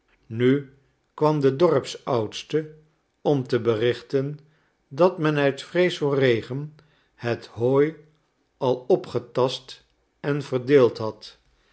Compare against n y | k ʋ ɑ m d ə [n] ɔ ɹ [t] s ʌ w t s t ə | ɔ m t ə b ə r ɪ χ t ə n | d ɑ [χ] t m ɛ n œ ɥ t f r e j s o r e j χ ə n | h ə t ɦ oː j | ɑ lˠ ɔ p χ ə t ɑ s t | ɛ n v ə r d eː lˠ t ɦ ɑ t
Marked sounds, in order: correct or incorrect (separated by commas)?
incorrect, incorrect, incorrect